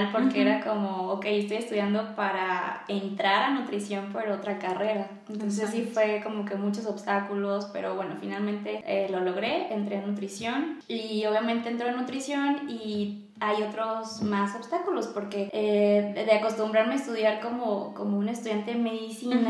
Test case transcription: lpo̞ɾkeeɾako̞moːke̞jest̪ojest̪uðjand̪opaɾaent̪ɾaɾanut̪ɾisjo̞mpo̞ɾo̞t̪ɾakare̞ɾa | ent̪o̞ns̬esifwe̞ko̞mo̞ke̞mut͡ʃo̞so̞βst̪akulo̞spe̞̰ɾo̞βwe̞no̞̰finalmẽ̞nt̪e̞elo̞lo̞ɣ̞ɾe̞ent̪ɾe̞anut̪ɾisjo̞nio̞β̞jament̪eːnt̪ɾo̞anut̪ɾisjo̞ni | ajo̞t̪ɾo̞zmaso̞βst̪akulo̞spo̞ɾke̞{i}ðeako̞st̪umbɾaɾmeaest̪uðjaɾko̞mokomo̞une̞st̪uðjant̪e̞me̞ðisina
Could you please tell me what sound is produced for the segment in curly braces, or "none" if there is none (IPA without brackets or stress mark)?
e